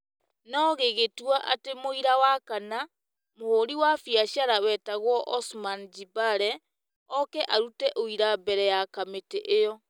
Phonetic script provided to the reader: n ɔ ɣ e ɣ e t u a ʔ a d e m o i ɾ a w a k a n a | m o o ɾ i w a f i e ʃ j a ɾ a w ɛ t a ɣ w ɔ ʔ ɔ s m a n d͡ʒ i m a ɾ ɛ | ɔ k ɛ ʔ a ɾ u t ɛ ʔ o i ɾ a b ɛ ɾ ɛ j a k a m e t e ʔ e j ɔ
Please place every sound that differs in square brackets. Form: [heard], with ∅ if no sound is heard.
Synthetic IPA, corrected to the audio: n ɔ ɣ e ɣ e t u a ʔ a [t] e m o i ɾ a w a k a n a | m o o ɾ i w a f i [a] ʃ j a ɾ a w ɛ t a ɣ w ɔ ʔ ɔ s m a n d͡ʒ i [b] a ɾ ɛ | ɔ k ɛ ʔ a ɾ u t ɛ ʔ o i ɾ a b ɛ ɾ ɛ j a k a m e t e ʔ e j ɔ